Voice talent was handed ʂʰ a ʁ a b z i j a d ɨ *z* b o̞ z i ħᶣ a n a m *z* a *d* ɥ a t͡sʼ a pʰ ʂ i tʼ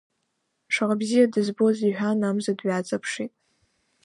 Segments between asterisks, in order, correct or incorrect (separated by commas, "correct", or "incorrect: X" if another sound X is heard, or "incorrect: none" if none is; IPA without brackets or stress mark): correct, correct, correct